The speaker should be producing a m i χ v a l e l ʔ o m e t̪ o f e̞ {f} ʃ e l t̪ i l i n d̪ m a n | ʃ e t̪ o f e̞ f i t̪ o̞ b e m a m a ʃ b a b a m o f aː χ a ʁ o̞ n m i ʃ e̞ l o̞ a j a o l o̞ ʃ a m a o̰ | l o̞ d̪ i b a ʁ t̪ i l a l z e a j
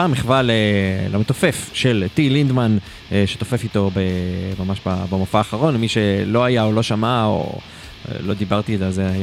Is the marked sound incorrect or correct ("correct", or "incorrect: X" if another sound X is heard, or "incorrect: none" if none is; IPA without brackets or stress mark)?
correct